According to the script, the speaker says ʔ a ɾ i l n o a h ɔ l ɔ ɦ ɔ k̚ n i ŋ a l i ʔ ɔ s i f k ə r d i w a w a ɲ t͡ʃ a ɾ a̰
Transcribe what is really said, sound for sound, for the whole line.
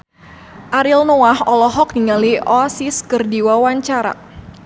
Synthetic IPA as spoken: ʔ a ɾ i l n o a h ɔ l ɔ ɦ ɔ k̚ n i ŋ a l i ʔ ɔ s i s k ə r d i w a w a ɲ t͡ʃ a ɾ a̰